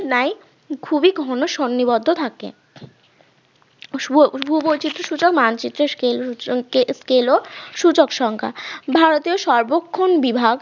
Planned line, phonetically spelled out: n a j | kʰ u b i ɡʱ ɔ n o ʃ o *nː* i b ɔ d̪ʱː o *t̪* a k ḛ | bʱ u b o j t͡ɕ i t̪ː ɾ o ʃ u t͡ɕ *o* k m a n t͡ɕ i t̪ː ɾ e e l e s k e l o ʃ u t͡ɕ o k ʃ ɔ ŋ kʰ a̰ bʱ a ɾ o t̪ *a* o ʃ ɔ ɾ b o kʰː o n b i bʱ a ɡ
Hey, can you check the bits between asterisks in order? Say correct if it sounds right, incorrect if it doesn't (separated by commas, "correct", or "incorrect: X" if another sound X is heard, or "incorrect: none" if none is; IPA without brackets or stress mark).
correct, incorrect: t̪ʰ, correct, incorrect: i